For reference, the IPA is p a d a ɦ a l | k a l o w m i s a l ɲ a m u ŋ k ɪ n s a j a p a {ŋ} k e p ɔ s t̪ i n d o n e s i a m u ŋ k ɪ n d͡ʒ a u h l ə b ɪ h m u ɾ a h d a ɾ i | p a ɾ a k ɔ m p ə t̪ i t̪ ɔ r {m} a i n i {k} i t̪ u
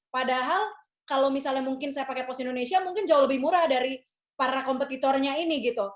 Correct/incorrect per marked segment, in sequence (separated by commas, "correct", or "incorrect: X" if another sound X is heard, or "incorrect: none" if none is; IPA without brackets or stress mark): incorrect: none, incorrect: ɲ, incorrect: ɡ